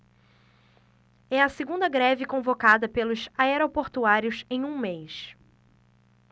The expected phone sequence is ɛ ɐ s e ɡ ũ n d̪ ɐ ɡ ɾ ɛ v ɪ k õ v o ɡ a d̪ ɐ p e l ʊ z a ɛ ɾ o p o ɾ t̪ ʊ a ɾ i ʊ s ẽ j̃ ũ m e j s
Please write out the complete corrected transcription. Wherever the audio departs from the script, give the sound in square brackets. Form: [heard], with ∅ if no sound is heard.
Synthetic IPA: ɛ ɐ s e ɡ ũ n d̪ ɐ ɡ ɾ ɛ v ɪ k õ v o [k] a d̪ ɐ p e l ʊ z a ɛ ɾ o p o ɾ t̪ [u] a ɾ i ʊ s ẽ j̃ ũ m e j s